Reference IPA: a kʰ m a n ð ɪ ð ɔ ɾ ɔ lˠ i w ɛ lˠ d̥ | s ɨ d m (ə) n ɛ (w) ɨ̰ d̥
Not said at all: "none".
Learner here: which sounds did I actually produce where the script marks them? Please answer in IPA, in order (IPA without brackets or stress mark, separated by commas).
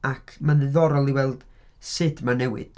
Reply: a, w